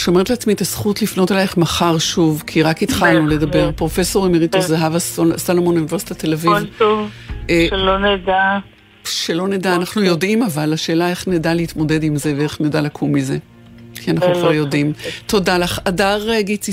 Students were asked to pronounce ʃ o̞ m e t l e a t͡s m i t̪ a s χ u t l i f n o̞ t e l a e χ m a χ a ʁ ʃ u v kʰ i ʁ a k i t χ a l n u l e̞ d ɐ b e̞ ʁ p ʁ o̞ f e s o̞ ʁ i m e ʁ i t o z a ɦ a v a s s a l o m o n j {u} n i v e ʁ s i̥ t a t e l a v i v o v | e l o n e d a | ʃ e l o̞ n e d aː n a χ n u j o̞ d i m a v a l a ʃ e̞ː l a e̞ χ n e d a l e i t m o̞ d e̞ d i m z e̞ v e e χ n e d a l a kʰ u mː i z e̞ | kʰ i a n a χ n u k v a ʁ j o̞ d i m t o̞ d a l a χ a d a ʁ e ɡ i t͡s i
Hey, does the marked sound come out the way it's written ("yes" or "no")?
yes